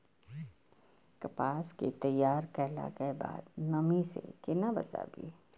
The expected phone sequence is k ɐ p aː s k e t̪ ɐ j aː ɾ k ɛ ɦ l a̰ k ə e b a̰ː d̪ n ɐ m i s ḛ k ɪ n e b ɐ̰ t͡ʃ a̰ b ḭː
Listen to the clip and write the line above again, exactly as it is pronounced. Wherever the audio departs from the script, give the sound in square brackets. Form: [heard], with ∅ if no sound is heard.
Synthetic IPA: k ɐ p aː s k e t̪ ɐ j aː ɾ k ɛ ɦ l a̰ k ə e b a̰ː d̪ n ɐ m i s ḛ k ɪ n [a] b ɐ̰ t͡ʃ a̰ b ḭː

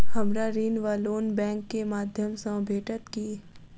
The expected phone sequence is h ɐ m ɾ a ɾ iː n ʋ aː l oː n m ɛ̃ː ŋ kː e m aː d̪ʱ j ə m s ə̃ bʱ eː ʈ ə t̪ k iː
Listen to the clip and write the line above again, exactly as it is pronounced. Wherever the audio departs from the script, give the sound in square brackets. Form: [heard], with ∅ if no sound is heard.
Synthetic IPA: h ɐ m ɾ a ɾ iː n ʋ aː l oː n [b] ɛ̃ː ŋ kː e m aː d̪ʱ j ə m s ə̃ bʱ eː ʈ ə t̪ k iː

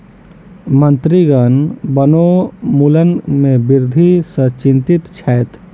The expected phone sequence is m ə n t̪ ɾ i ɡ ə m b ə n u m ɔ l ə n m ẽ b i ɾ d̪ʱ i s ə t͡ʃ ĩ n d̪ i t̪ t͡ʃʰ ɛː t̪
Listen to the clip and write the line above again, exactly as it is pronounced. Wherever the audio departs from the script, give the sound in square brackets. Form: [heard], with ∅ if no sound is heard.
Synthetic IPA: m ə n t̪ ɾ i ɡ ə [n] b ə n [o] m [u] l ə n m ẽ b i ɾ d̪ʱ i s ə t͡ʃ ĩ n [t̪] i t̪ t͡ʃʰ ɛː t̪

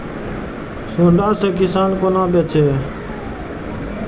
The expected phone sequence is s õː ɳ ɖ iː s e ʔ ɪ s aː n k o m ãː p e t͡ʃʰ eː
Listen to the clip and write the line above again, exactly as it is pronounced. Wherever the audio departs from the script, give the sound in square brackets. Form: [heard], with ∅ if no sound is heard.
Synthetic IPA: s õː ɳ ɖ [aː] s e [k] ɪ s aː n k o [n] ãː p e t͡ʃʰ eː

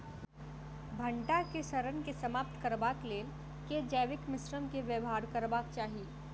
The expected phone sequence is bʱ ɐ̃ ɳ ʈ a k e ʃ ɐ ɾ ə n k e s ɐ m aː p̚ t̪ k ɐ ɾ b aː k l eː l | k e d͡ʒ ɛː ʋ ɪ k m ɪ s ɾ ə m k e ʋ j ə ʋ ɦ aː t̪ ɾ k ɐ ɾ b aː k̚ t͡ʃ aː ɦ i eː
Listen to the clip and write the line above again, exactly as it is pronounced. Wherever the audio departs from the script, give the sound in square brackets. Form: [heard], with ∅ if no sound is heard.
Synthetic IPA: bʱ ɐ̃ ɳ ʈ a k e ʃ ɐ ɾ ə n k e s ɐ m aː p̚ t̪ k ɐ ɾ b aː k l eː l | k e d͡ʒ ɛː ʋ ɪ k m ɪ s ɾ ə m k e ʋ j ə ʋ ɦ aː [∅] ɾ k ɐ ɾ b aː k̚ t͡ʃ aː ɦ i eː

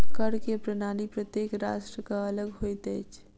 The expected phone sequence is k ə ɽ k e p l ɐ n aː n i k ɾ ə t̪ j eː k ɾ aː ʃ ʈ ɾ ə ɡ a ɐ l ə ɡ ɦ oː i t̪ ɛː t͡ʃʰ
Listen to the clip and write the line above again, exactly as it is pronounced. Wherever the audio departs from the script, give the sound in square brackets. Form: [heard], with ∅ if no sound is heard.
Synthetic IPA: k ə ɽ k e p [ɾ] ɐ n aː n i [p] ɾ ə t̪ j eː k ɾ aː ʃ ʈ ɾ ə [k] a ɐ l ə ɡ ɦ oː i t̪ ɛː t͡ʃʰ

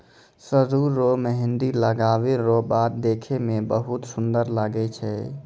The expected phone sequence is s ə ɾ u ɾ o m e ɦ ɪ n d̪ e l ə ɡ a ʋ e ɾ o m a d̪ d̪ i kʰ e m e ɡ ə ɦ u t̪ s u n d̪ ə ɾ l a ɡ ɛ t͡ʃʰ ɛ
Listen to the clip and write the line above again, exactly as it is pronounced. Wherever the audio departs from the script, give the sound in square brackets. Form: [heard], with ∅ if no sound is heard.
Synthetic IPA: s ə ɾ u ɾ o m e ɦ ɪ n d̪ [i] l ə ɡ a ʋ e ɾ o [b] a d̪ d̪ [e] kʰ e m e [b] ə ɦ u t̪ s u n d̪ ə ɾ l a ɡ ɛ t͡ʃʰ ɛ

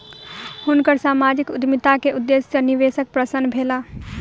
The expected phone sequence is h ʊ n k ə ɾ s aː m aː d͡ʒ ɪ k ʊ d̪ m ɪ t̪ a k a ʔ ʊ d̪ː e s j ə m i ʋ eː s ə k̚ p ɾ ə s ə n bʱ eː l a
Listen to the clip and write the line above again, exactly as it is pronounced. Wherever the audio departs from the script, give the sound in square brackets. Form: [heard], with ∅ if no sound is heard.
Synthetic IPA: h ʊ n k ə ɾ s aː m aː d͡ʒ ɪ k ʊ d̪ m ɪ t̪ a k [e] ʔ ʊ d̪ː e s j ə [n] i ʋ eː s ə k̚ p ɾ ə s ə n bʱ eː l a

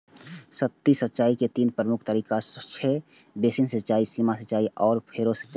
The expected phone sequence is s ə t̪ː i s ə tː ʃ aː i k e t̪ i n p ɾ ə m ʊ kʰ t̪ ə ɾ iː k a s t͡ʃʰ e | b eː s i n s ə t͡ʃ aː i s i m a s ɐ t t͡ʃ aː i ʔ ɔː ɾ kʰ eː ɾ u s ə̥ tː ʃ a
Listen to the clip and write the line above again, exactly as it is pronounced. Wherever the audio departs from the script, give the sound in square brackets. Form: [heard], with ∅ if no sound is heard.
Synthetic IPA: s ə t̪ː i s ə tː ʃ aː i k e t̪ [iː] n p ɾ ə m ʊ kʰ t̪ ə ɾ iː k a s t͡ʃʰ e | b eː s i n s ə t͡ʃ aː i s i m a s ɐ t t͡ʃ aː i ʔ ɔː ɾ [pʰ] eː ɾ [o] s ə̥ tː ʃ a

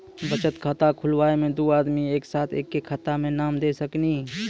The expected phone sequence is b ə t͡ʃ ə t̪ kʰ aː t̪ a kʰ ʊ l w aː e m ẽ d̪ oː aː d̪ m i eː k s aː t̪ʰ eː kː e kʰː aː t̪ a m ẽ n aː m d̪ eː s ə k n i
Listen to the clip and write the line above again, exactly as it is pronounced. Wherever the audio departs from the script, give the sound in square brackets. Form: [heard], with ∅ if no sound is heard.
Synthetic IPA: b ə t͡ʃ ə t̪ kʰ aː t̪ a kʰ ʊ l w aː e m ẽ d̪ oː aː d̪ m i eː k s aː t̪ʰ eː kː e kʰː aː t̪ a m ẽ n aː m d̪ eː s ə k n i

